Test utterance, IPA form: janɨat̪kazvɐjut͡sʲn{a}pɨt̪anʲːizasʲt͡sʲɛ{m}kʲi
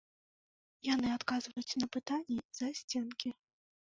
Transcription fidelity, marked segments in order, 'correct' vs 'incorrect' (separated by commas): incorrect, incorrect